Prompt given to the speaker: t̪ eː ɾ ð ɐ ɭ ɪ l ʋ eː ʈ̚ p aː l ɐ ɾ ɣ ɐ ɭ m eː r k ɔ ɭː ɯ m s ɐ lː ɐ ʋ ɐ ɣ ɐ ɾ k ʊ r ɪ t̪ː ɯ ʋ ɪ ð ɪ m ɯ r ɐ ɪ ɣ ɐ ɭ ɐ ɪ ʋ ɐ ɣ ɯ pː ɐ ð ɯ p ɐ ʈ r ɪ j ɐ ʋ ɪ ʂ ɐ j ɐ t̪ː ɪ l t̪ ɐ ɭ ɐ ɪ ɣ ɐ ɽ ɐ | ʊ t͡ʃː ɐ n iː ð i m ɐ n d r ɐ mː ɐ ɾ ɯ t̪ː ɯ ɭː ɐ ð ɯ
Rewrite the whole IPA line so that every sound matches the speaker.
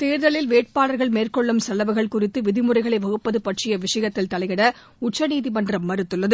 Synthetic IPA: t̪ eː ɾ ð ɐ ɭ ɪ l ʋ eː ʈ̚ p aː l ɐ ɾ ɣ ɐ ɭ m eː r k ɔ ɭː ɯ m s ɐ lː ɐ ʋ ɐ ɣ ɐ ɭ k ʊ r ɪ t̪ː ɯ ʋ ɪ ð ɪ m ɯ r ɐ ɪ ɣ ɐ ɭ ɐ ɪ ʋ ɐ ɣ ɯ pː ɐ ð ɯ p ɐ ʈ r ɪ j ɐ ʋ ɪ ʂ ɐ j ɐ t̪ː ɪ l t̪ ɐ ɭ ɐ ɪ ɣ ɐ ɽ ɐ | ʊ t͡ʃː ɐ n iː ð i m ɐ n d r ɐ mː ɐ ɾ ɯ t̪ː ɯ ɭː ɐ ð ɯ

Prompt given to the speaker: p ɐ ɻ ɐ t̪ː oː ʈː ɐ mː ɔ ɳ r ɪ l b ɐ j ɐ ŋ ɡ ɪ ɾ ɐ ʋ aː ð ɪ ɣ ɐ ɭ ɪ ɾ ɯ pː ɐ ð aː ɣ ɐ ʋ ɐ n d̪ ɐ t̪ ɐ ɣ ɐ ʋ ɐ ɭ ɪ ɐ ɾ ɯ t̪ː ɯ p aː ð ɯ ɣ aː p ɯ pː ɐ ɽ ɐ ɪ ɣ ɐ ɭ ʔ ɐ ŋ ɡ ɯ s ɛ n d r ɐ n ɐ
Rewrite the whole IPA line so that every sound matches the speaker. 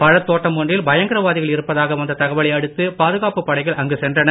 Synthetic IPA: p ɐ ɻ ɐ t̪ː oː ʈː ɐ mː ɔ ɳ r ɪ l b ɐ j ɐ ŋ ɡ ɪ ɾ ɐ ʋ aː ð ɪ ɣ ɐ ɭ ɪ ɾ ɯ pː ɐ ð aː ɣ ɐ ʋ ɐ n d̪ ɐ t̪ ɐ ɣ ɐ ʋ ɐ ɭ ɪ ɐ ɽ ɯ t̪ː ɯ p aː ð ɯ ɣ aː p ɯ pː ɐ ɽ ɐ ɪ ɣ ɐ ɭ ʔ ɐ ŋ ɡ ɯ s ɛ n d r ɐ n ɐ

